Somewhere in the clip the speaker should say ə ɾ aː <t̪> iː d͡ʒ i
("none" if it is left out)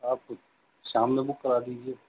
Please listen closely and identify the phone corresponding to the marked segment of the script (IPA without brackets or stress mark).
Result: d̪